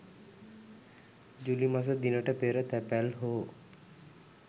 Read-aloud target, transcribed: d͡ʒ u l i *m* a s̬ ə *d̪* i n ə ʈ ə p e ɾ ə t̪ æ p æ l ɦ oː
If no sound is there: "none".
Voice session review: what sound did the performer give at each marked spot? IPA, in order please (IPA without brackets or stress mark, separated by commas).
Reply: m, d̪